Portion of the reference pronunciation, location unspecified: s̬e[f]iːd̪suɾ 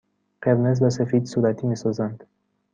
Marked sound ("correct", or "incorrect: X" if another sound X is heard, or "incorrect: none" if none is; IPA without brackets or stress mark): correct